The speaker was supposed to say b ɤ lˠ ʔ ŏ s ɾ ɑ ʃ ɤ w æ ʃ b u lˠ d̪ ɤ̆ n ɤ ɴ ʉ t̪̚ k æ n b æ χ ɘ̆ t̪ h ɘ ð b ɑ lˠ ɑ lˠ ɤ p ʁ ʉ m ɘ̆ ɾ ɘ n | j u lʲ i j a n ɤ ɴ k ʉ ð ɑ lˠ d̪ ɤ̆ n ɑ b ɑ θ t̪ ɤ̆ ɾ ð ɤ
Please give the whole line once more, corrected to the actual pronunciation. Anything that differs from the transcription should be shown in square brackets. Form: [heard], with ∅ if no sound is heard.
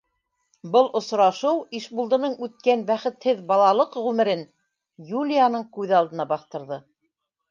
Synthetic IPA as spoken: b ɤ lˠ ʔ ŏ s ɾ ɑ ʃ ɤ w [i] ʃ b u lˠ d̪ ɤ̆ n ɤ ɴ ʉ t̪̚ k æ n b æ χ ɘ̆ t̪ h ɘ ð b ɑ lˠ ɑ lˠ ɤ [q] ʁ ʉ m ɘ̆ ɾ ɘ n | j u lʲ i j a n ɤ ɴ k ʉ ð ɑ lˠ d̪ ɤ̆ n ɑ b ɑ θ t̪ ɤ̆ ɾ ð ɤ